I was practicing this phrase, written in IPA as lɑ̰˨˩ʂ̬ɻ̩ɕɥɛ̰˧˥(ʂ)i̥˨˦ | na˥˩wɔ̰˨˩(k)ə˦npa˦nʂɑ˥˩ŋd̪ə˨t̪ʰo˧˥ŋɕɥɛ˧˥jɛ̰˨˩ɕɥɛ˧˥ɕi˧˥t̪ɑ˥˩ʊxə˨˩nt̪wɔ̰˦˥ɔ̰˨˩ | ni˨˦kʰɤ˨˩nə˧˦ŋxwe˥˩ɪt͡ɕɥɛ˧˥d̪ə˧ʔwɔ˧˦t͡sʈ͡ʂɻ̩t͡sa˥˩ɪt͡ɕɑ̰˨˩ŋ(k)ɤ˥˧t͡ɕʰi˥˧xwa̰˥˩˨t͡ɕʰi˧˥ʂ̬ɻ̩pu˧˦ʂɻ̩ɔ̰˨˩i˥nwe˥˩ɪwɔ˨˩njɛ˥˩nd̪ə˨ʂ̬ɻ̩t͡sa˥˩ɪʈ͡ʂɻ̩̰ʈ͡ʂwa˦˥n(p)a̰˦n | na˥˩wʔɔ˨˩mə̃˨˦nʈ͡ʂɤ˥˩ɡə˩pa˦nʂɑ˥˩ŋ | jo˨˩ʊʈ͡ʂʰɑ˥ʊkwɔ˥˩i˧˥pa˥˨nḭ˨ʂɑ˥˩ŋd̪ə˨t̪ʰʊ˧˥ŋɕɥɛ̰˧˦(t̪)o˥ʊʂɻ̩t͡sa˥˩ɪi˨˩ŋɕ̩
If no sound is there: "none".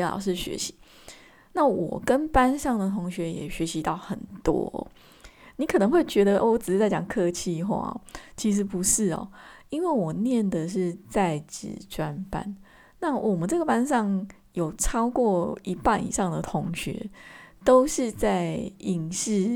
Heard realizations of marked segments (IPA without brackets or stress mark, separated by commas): ɕ, k, kʰ, p, t̪